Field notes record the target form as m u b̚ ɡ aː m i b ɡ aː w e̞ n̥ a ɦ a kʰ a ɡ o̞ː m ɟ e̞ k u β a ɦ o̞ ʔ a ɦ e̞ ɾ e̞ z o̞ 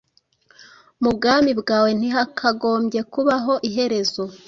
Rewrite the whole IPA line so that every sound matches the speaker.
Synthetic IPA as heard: m u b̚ ɡ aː m i b ɡ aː w e̞ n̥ i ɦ a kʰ a ɡ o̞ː m ɟ e̞ k u β a ɦ o̞ ʔ i ɦ e̞ ɾ e̞ z o̞

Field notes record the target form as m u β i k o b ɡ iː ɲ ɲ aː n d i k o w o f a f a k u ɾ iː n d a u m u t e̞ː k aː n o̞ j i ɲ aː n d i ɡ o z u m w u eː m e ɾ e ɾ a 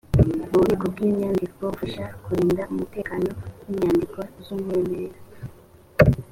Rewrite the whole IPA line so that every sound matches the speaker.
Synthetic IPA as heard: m u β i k o b ɡ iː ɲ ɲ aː n d i k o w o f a ʃ a k u ɾ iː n d a u m u t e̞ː k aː n o̞ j i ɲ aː n d i k o z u m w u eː m e ɾ e ɾ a

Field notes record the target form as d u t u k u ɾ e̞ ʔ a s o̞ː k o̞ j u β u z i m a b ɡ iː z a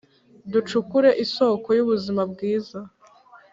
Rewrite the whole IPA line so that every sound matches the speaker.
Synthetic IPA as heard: d u t͡ʃ u k u ɾ e̞ ʔ i s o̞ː k o̞ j u β u z i m a b ɡ iː z a

